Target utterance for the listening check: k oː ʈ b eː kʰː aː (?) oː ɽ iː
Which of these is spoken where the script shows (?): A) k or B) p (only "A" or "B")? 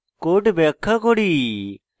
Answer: A